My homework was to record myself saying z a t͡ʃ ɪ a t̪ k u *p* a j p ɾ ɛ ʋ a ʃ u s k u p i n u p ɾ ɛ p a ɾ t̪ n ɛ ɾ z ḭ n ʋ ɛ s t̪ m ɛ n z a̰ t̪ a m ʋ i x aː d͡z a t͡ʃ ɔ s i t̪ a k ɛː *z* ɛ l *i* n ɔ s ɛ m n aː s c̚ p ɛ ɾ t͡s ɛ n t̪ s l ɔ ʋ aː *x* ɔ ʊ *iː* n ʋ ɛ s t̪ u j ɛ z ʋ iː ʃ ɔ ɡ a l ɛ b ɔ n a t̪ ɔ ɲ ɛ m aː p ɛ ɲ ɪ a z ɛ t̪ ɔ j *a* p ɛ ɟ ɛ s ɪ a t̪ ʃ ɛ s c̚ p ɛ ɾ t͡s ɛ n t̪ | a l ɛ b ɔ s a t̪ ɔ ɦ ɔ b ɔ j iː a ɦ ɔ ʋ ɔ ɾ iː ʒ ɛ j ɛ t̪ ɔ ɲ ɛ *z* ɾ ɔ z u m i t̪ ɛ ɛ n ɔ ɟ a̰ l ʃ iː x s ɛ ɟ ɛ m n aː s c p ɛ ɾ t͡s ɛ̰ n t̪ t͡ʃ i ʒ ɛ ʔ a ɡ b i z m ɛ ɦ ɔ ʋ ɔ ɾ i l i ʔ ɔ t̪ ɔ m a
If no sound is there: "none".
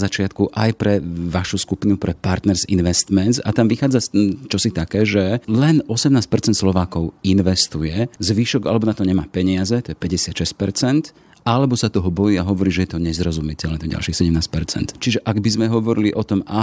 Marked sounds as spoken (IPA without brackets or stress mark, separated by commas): ʔ, ʒ, ɛ, k, i, ɛ, z